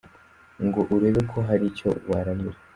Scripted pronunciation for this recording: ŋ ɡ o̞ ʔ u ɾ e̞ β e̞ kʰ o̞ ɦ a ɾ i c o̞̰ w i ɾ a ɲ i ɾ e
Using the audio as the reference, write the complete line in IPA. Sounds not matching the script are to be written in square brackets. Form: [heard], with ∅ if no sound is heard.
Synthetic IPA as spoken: ŋ ɡ o̞ ʔ u ɾ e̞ β e̞ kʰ o̞ ɦ a ɾ i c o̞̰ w [a] ɾ a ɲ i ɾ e